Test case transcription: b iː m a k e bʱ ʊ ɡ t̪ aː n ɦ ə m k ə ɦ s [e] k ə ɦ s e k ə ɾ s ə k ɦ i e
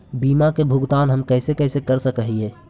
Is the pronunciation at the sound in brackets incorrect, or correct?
correct